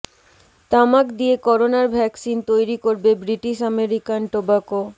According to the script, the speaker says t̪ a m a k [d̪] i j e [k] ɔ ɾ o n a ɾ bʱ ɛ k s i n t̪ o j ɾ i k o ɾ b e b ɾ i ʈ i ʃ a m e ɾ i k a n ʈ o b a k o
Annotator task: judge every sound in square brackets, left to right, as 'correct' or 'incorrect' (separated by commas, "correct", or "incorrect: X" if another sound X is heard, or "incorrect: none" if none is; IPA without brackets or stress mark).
correct, correct